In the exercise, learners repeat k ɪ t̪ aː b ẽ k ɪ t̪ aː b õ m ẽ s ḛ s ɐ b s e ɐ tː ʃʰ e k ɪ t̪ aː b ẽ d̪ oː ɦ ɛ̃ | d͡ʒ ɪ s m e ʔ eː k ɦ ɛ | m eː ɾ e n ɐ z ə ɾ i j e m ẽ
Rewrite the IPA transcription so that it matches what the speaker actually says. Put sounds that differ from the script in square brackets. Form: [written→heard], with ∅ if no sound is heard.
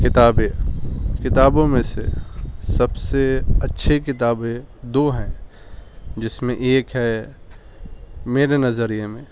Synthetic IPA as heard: k ɪ t̪ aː b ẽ k ɪ t̪ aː b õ m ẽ s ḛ s ɐ b s e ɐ tː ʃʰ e k ɪ t̪ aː b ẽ d̪ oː ɦ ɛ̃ | d͡ʒ ɪ s m [e→ẽ] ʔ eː k ɦ ɛ | m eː ɾ e n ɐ z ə ɾ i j e m ẽ